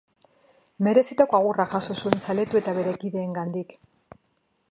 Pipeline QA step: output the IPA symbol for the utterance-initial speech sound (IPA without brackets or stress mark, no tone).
m